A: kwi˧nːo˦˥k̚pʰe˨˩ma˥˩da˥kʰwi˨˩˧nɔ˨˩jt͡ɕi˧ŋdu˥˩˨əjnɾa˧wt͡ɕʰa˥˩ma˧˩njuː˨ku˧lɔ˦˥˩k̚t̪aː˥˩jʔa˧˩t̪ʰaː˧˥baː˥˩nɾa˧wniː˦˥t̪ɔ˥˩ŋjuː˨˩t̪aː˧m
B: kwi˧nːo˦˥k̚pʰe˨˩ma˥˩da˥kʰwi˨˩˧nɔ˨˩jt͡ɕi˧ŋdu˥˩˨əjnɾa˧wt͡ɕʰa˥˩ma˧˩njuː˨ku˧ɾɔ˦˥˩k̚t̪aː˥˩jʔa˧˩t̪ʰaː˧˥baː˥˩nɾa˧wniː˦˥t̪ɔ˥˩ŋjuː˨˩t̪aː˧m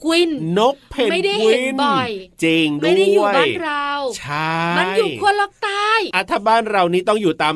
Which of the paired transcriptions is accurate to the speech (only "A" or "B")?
A